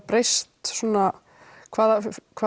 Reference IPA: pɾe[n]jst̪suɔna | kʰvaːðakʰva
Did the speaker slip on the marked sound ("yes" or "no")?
yes